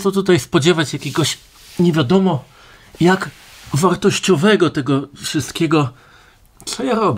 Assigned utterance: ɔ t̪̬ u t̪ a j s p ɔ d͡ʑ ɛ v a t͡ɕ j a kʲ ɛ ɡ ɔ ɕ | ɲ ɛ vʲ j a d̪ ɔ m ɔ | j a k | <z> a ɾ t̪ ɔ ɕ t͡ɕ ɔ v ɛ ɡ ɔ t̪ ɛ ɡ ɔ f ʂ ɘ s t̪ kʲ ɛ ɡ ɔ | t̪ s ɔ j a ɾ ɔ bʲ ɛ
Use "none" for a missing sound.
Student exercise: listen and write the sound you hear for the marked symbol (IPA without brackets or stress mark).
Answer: v